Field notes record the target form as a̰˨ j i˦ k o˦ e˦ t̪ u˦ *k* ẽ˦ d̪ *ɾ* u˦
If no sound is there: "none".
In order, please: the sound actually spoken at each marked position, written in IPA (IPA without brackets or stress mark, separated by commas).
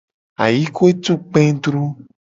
k͡p, ɾ